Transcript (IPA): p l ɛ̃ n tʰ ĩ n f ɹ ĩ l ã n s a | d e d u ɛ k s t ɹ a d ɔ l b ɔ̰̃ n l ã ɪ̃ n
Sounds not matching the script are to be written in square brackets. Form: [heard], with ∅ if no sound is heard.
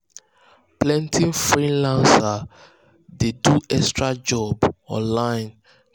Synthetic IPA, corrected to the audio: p l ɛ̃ n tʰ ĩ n f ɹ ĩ l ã n s a | d e d u ɛ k s t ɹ a [d͡ʒ] ɔ [∅] b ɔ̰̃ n l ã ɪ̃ n